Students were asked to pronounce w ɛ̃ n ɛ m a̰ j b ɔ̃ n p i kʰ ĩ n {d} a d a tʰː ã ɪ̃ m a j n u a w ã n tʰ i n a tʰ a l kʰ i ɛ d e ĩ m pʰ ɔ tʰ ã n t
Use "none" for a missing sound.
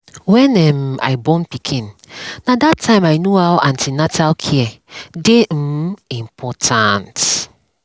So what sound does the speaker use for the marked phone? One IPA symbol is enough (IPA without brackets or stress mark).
n